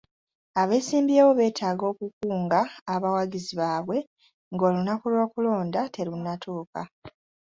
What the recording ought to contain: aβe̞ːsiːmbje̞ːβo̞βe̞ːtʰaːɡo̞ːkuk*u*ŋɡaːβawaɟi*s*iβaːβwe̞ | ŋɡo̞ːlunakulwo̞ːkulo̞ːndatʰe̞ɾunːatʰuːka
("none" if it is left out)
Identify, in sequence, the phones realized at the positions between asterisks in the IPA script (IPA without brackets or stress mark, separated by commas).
uː, z